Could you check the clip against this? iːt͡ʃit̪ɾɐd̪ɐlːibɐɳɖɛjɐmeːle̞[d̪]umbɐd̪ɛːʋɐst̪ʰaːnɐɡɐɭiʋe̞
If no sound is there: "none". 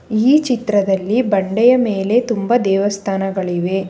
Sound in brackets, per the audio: t̪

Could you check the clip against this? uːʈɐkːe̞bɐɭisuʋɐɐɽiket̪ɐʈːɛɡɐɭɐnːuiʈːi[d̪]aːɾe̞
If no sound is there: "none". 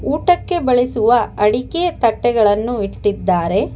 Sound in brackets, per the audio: d̪ː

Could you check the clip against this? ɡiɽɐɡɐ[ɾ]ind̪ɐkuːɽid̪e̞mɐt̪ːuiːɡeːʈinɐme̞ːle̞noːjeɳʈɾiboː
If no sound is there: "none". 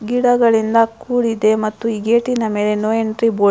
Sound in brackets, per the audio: ɭ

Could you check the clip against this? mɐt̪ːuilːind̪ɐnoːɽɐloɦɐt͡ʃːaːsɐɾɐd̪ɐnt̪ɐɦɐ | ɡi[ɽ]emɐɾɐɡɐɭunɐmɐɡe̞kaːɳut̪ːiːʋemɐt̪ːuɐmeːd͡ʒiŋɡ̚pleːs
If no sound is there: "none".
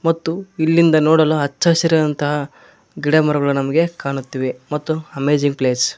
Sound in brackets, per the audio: ɽ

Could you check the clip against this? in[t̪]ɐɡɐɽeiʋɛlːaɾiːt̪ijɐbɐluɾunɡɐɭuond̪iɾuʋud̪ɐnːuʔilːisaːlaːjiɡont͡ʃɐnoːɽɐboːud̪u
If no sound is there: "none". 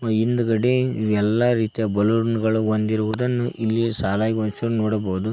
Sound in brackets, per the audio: d̪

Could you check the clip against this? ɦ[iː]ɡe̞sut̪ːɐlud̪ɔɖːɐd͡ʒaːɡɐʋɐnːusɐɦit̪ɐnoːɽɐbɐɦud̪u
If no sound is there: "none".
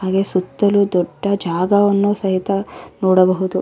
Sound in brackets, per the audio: aː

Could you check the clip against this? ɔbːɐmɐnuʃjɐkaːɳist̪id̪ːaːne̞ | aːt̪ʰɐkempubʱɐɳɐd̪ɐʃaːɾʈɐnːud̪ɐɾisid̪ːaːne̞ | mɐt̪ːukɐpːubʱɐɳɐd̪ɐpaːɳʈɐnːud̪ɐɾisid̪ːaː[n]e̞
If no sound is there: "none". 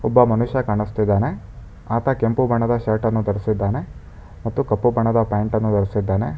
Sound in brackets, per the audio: n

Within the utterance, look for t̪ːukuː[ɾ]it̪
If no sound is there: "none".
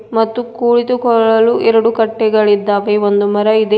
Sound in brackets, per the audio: ɭ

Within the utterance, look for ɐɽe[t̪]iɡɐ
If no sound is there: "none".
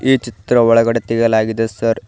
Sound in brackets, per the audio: t̪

